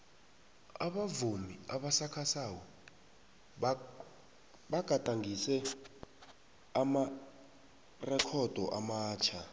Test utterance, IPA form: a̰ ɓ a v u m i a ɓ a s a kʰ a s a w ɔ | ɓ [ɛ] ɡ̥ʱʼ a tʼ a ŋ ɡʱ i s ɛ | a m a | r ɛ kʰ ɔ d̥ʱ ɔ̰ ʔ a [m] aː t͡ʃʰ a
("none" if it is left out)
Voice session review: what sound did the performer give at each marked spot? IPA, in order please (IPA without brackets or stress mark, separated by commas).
a, m